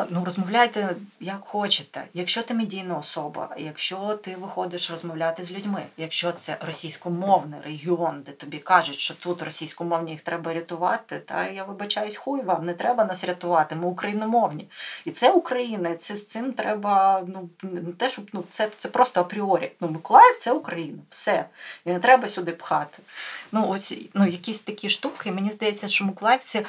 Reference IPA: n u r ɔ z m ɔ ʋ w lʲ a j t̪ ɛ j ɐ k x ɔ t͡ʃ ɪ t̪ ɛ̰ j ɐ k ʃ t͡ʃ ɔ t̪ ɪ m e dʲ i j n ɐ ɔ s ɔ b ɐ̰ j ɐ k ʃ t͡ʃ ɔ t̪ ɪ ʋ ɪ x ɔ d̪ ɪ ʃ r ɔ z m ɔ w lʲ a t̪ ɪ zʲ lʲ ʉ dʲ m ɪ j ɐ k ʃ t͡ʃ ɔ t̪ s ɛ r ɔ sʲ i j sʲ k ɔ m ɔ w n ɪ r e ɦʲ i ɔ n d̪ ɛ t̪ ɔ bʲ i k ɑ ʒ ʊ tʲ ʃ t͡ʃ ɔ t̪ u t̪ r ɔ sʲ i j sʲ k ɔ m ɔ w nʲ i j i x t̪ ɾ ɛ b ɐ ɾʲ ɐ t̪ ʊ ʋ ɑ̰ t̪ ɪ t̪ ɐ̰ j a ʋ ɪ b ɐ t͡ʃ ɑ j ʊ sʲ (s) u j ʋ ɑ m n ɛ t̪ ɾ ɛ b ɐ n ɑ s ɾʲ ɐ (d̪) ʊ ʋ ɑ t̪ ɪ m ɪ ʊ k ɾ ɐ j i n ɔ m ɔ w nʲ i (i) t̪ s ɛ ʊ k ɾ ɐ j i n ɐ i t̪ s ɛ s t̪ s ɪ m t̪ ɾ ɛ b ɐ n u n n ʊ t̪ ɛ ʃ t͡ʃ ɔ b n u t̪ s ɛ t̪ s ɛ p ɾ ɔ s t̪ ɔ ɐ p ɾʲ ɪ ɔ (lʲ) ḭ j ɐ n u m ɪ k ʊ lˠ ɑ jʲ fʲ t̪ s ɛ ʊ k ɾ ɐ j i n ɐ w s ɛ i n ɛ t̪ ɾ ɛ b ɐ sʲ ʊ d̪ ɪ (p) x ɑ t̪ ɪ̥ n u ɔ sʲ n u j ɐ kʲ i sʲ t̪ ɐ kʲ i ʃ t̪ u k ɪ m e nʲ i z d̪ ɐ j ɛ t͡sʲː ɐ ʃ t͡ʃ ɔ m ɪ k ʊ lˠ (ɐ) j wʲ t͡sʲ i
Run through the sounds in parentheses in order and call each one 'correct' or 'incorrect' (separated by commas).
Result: incorrect, incorrect, correct, incorrect, correct, incorrect